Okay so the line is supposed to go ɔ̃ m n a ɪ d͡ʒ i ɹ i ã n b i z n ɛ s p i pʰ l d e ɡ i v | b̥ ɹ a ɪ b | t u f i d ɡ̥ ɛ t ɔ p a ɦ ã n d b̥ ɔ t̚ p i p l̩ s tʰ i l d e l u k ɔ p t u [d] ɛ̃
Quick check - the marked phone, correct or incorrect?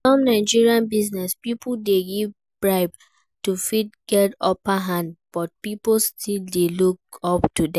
correct